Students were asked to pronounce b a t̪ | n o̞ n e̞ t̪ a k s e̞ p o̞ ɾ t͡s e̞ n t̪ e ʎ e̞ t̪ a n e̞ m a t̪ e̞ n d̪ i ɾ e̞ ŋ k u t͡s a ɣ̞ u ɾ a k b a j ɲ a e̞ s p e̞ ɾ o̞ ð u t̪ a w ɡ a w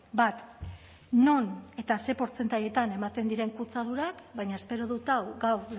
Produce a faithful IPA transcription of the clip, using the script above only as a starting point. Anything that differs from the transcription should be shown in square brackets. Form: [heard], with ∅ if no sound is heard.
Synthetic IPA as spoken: b a t̪ | n o̞ n e̞ t̪ a [∅] s e̞ p o̞ ɾ t͡s e̞ n t̪ [a] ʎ e̞ t̪ a n e̞ m a t̪ e̞ n d̪ i ɾ e̞ ŋ k u t͡s a [ð̞] u ɾ a k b a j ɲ a e̞ s p e̞ ɾ o̞ ð u t̪ a w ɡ a w

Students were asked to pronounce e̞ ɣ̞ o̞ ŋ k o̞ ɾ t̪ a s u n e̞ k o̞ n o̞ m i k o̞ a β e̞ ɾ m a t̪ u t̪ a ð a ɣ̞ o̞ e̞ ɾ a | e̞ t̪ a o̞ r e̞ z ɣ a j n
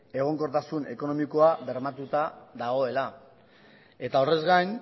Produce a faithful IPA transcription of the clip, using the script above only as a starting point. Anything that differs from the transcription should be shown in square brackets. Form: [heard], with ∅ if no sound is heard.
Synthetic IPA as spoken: e̞ ɣ̞ o̞ ŋ k o̞ ɾ t̪ a s u n e̞ k o̞ n o̞ m i k o̞ a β e̞ ɾ m a t̪ u t̪ a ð a ɣ̞ o̞ e̞ [l] a | e̞ t̪ a o̞ r e̞ z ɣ a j n

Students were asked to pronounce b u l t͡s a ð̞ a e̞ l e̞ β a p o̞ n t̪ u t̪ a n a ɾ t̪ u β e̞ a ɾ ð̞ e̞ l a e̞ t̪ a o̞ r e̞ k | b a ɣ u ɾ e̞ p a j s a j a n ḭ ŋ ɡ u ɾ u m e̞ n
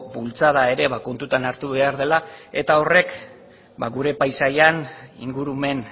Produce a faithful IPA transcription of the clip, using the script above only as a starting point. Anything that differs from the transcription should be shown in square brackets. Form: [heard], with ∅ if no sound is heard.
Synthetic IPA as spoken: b u l t͡s a ð̞ a e̞ [ɾ] e̞ β a [k] o̞ n t̪ u t̪ a n a ɾ t̪ u β e̞ a ɾ ð̞ e̞ l a e̞ t̪ a o̞ r e̞ k | b a ɣ u ɾ e̞ p a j s a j a n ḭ ŋ ɡ u ɾ u m e̞ n

